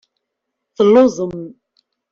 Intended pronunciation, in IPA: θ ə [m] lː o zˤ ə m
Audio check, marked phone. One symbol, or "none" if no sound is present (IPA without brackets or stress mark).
none